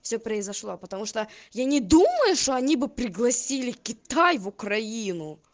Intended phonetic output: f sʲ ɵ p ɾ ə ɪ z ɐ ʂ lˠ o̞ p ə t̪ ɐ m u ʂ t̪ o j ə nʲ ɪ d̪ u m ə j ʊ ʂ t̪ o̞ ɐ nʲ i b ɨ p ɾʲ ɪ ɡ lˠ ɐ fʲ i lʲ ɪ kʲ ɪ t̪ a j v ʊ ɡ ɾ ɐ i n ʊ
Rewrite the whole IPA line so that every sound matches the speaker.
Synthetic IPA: f sʲ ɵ p ɾ ə ɪ z ɐ ʂ lˠ o̞ p ə t̪ ɐ m u ʂ t̪ o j a nʲ ɪ d̪ u m ə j ʊ ʂ t̪ o̞ ɐ nʲ i b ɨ p ɾʲ ɪ ɡ lˠ ɐ sʲ i lʲ ɪ kʲ ɪ t̪ a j v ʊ k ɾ ɐ i n ʊ

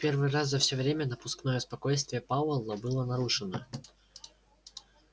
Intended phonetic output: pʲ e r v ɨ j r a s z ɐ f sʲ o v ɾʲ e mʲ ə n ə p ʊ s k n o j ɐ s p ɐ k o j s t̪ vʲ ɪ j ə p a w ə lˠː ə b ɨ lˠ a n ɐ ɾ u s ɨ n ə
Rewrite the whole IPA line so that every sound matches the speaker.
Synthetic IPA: pʲ e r v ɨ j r a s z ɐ f sʲ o v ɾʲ e mʲ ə n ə p ʊ s k n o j ə s p ɐ k o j s t̪ vʲ ɪ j ə p a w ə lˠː ə b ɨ lˠ ə n ɐ ɾ u ʂ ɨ n ə

